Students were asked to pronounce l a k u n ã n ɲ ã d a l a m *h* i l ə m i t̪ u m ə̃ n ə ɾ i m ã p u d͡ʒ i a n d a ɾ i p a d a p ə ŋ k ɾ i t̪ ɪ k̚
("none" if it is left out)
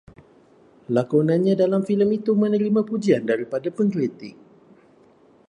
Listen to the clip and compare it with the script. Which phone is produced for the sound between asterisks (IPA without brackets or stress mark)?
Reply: f